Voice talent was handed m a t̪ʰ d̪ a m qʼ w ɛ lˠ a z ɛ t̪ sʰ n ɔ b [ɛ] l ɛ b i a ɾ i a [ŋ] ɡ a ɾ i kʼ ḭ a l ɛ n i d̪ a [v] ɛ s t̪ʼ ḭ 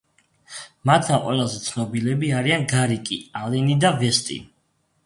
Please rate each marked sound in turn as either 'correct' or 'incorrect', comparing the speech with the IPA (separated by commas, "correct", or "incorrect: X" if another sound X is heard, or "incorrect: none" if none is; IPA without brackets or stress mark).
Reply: incorrect: i, incorrect: n, correct